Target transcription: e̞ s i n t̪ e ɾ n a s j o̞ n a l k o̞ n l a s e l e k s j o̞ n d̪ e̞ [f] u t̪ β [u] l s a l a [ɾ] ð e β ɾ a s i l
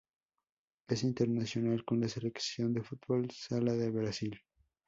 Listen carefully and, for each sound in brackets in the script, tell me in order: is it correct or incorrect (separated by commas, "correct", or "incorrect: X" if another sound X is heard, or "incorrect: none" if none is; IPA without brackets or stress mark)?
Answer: correct, incorrect: o, incorrect: none